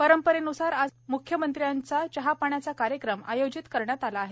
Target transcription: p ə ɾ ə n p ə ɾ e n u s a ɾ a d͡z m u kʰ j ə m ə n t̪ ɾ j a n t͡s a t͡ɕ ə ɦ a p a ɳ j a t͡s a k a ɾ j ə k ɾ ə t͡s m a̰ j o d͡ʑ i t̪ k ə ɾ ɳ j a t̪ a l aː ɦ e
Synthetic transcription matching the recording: p ə ɾ ə m p ə ɾ e n u s a ɾ a d͡z m u kʰ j ə m ə n t̪ ɾ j a n t͡s a t͡ɕ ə ɦ a p a ɳ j a t͡s a k a ɾ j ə k ɾ ə m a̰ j o d͡ʑ i t̪ k ə ɾ ɳ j a t̪ a l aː ɦ e